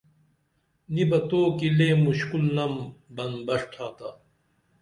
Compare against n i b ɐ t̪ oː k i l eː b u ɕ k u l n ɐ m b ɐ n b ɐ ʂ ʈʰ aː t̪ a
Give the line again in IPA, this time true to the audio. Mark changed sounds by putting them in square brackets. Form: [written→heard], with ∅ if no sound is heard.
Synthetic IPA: n i b ɐ t̪ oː k i l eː [b→m] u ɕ k u l n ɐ m b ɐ n b ɐ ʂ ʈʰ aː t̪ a